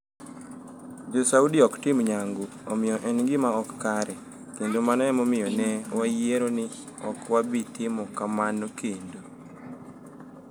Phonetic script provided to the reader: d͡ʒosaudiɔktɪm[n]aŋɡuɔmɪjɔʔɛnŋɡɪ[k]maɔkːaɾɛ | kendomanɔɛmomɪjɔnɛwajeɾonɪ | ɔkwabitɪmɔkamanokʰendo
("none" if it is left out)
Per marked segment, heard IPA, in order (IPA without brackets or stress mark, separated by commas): ɲ, none